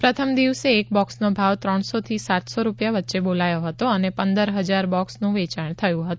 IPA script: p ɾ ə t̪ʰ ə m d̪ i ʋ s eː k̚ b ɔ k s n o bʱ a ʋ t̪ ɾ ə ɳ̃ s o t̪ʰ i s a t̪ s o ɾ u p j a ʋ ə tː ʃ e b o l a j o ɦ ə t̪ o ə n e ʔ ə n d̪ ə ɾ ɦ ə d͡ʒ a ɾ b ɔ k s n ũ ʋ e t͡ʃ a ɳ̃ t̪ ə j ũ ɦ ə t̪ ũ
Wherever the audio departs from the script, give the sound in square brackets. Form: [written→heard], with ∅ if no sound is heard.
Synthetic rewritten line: p ɾ ə t̪ʰ ə m d̪ i ʋ s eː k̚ b ɔ k s n o bʱ a ʋ t̪ ɾ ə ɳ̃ s o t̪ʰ i s a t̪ s o ɾ u p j a ʋ ə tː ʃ e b o l a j o ɦ ə t̪ o ə n e [ʔ→p] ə n d̪ ə ɾ ɦ ə d͡ʒ a ɾ b ɔ k s n ũ ʋ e t͡ʃ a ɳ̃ [t̪→t̪ʰ] ə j ũ ɦ ə t̪ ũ